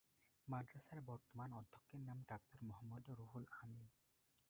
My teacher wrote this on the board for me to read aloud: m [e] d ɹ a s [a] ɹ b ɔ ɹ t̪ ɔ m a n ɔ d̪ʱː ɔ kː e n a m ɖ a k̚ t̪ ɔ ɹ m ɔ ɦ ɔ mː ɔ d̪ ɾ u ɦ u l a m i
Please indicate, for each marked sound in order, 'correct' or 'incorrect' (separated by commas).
incorrect, correct